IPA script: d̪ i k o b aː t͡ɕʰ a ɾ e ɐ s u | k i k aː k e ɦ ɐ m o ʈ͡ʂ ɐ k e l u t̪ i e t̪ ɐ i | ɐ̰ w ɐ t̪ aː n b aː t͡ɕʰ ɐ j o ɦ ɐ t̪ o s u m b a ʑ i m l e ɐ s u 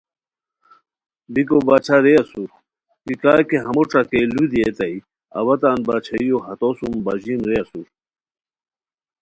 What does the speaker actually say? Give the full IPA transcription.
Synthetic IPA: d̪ i k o b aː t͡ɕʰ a ɾ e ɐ s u | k i k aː k e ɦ ɐ m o ʈ͡ʂ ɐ k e l u d̪ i e t̪ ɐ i | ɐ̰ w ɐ t̪ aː n b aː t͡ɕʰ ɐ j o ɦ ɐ t̪ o s u m b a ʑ i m ɾ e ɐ s u